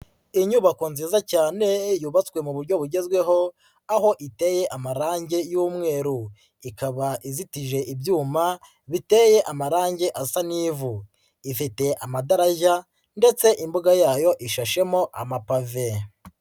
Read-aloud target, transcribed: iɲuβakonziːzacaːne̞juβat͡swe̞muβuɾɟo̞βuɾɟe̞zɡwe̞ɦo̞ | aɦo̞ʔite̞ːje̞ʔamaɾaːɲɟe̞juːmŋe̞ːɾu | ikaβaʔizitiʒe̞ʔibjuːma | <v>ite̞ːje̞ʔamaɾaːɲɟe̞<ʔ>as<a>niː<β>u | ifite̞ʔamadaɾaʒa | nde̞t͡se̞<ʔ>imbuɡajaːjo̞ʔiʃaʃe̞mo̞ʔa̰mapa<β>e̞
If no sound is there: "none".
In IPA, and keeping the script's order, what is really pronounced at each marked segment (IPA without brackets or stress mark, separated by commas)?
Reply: β, ʔ, a, v, ʔ, v